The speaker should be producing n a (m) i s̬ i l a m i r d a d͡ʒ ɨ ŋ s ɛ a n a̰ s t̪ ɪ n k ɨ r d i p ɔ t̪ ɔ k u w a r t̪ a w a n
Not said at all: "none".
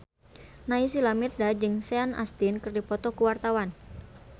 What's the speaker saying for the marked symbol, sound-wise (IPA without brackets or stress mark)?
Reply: none